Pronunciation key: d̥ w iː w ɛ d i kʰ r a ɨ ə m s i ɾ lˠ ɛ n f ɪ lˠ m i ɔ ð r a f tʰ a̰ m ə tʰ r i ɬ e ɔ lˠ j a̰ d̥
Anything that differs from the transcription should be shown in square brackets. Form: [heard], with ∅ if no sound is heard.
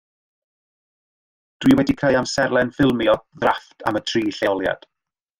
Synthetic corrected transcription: d̥ w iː w ɛ d i kʰ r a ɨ [a] m s [ɛ] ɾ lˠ ɛ n f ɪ lˠ m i ɔ ð r a f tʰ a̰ m ə tʰ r [iː] ɬ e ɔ lˠ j a̰ d̥

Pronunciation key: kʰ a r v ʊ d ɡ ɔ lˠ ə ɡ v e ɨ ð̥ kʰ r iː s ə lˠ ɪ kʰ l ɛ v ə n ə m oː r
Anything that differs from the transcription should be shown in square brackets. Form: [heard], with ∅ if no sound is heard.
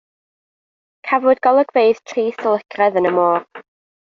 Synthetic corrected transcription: kʰ a [∅] v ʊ d ɡ ɔ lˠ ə ɡ v e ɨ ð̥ [tʰ] r iː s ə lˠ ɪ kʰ [r] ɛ [ð] ə n ə m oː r

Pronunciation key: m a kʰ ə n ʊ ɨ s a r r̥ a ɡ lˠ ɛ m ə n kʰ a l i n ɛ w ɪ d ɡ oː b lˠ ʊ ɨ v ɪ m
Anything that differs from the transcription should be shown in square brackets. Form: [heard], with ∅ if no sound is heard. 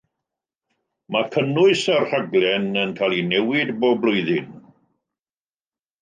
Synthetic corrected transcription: m a kʰ ə n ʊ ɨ s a r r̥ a ɡ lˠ ɛ [n] ə n kʰ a l i n ɛ w ɪ d [b] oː b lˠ ʊ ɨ [ð] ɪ [n]

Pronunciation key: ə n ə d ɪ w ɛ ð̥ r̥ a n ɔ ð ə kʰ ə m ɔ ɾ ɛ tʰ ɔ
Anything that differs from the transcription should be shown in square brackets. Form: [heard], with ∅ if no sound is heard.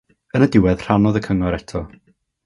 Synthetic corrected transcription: ə n ə d ɪ w ɛ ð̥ r̥ a n ɔ ð ə kʰ ə [ŋ] ɔ ɾ ɛ tʰ ɔ

